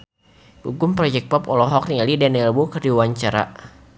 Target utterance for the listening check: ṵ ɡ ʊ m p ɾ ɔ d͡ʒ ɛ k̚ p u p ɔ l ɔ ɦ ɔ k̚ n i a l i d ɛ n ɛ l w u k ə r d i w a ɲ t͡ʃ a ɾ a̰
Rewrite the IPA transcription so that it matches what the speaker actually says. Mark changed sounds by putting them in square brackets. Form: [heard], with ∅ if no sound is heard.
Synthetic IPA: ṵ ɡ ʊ m p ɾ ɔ d͡ʒ ɛ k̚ p [ɔ] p ɔ l ɔ ɦ ɔ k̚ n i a l i d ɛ n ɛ l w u k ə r d i w a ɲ t͡ʃ a ɾ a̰

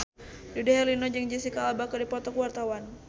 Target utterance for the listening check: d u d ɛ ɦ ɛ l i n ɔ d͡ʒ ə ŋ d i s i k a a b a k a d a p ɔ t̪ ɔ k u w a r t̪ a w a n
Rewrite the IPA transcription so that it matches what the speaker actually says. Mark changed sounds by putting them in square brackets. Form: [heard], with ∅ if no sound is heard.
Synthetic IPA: d u d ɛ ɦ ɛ l i n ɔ d͡ʒ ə ŋ [d͡ʒ] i s i k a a b a k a d [i] p ɔ t̪ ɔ k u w a r t̪ a w a n

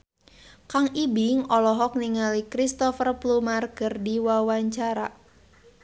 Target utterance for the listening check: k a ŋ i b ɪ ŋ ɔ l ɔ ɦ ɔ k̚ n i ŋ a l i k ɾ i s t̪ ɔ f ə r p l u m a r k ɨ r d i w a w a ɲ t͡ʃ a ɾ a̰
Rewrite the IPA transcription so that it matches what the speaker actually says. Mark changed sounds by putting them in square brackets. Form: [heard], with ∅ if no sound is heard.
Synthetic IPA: k a ŋ i b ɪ ŋ ɔ l ɔ ɦ ɔ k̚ n i ŋ a l i k ɾ i s t̪ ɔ f ə r p l u m a r k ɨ r d i w a w a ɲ t͡ʃ a ɾ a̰

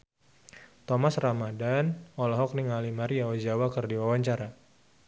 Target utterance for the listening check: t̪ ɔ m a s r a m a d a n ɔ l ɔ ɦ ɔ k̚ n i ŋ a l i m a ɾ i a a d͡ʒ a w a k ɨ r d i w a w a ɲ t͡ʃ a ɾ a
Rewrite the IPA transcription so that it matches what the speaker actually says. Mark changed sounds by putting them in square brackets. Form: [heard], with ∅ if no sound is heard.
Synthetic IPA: t̪ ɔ m a s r a m a d a n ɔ l ɔ ɦ ɔ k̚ n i ŋ a l i m a ɾ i a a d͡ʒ a w a k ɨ r d i w a w a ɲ t͡ʃ a ɾ a

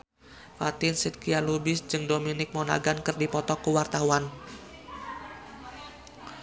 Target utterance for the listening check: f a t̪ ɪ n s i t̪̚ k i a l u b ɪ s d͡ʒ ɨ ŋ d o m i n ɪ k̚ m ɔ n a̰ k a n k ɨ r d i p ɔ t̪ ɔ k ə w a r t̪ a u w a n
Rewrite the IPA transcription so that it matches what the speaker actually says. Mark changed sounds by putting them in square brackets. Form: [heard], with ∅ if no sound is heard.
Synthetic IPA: f a t̪ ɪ n s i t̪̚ k i a l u b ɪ s d͡ʒ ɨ ŋ d o m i n ɪ k̚ m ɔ n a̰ [ɡ] a n k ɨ r d i p ɔ t̪ ɔ k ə w a r t̪ a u w a n

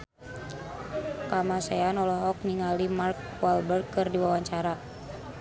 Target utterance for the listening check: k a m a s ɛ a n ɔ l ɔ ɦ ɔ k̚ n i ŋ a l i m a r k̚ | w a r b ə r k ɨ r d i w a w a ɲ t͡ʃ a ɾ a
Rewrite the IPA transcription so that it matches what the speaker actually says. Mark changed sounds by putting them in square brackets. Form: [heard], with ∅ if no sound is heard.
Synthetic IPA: k a m a s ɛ a n ɔ l ɔ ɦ ɔ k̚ n i ŋ a l i m a r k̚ | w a [l] b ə r k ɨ r d i w a w a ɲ t͡ʃ a ɾ a

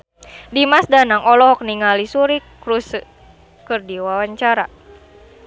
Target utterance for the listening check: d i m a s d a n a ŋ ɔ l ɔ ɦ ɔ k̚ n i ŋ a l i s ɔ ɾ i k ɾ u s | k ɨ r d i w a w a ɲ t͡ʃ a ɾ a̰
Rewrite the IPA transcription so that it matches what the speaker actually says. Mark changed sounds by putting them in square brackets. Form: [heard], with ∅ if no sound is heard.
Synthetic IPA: d i m a s d a n a ŋ ɔ l ɔ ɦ ɔ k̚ n i ŋ a l i s [u] ɾ i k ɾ u s | k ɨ r d i w a w a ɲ t͡ʃ a ɾ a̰

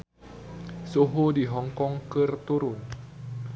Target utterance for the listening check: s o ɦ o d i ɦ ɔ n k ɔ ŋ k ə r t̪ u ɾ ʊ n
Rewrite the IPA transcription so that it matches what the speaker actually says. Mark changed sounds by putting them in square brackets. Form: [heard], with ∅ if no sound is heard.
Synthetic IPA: s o ɦ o d i ɦ ɔ [ŋ] k ɔ ŋ k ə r t̪ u ɾ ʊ n

